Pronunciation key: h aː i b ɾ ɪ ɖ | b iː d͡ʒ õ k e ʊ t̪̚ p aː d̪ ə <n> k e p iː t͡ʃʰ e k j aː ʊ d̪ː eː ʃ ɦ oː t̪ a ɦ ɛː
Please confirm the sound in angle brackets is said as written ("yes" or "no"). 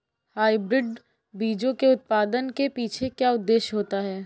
yes